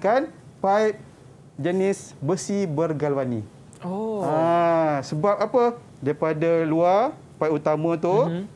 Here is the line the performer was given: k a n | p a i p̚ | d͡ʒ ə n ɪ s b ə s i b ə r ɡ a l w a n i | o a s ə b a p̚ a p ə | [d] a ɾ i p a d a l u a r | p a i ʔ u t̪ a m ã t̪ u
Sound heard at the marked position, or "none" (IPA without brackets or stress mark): d